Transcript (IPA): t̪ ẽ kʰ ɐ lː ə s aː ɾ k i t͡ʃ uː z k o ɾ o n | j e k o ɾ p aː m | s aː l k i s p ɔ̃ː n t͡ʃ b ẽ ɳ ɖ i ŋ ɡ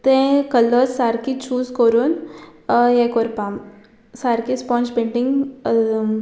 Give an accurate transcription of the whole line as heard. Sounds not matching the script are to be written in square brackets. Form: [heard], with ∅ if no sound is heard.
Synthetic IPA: t̪ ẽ [k] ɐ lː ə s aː ɾ k i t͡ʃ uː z k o ɾ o n | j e k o ɾ p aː m | s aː [ɾ] k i s p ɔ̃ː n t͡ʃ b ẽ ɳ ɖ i ŋ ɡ